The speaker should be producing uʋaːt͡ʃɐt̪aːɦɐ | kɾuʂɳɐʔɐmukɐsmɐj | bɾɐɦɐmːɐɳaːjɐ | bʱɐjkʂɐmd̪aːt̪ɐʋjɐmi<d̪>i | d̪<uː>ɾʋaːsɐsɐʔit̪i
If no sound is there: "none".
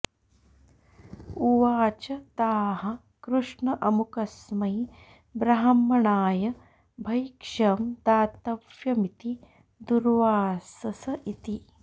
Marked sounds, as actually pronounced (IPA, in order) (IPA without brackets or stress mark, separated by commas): t̪, u